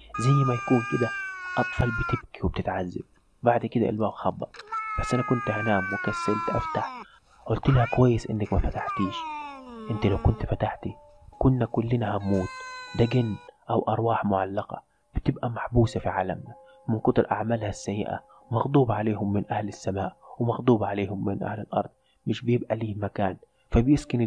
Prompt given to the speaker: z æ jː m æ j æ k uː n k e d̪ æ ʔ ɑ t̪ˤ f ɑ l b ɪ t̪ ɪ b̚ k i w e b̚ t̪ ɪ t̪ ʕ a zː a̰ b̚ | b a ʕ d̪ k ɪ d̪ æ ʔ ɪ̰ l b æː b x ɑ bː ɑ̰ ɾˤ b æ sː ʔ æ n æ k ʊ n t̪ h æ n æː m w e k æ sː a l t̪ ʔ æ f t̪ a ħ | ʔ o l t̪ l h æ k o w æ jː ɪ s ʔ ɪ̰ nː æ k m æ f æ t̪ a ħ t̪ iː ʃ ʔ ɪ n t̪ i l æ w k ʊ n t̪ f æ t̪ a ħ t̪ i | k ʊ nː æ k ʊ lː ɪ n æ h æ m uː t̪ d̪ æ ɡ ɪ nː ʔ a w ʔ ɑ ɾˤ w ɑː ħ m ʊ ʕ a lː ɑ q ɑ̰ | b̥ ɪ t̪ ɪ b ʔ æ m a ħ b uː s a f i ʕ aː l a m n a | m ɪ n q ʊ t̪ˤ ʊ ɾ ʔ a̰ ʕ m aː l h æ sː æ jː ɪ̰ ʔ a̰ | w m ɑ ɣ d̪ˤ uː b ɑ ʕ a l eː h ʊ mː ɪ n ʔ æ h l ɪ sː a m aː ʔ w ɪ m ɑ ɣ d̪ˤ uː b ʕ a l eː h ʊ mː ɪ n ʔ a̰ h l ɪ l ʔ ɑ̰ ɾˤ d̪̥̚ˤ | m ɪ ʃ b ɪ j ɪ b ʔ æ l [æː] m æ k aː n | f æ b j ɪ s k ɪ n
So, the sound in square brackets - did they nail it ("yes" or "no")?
no